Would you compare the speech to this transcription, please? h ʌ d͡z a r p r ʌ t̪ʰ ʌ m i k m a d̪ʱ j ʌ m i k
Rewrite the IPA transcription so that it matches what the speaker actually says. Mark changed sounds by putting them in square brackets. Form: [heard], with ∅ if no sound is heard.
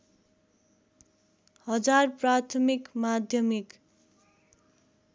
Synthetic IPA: h ʌ d͡z a r p r [a] t̪ʰ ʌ m i k m a d̪ʱ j ʌ m i k